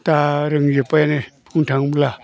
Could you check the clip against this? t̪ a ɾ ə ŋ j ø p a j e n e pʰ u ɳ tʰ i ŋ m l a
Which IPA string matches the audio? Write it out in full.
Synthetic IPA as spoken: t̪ a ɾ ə ŋ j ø p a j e n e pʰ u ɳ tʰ a ŋ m l a